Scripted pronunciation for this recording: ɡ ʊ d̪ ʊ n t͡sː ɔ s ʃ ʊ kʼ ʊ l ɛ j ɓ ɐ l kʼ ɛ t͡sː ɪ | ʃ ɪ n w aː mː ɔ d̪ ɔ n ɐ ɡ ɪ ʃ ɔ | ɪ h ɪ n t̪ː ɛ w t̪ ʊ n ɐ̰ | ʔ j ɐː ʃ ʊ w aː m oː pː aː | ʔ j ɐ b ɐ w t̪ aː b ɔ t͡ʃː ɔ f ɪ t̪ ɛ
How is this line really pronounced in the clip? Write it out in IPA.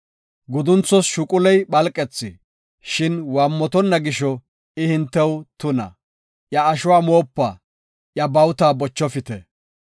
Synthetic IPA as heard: ɡ ʊ d̪ ʊ n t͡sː ɔ s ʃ ʊ kʼ ʊ l ɛ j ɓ ɐ l kʼ ɛ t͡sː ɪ | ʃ ɪ n w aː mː ɔ t̪ ɔ nː ɐ ɡ ɪ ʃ ɔ | ɪ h ɪ n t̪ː ɛ w t̪ ʊ n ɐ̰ | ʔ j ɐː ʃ ʊ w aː m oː pː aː | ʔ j ɐ b ɐ w t̪ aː b ɔ t͡ʃː ɔ f ɪ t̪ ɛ